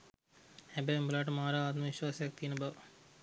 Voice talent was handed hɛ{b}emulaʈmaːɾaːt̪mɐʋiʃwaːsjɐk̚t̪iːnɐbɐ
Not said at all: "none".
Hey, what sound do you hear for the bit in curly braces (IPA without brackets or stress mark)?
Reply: b